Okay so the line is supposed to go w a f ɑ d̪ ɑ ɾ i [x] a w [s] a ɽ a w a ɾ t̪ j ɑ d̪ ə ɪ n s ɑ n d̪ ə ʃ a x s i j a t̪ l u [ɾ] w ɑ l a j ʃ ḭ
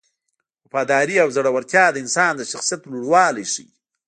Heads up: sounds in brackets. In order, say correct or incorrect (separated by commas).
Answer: incorrect, incorrect, incorrect